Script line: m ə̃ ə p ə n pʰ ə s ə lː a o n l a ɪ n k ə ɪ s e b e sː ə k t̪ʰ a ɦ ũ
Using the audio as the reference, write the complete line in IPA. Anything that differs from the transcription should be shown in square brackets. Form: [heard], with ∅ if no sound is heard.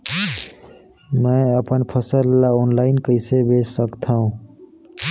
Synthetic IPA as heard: m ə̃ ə p ə n pʰ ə s ə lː a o n l a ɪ n k ə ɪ s e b e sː ə k t̪ʰ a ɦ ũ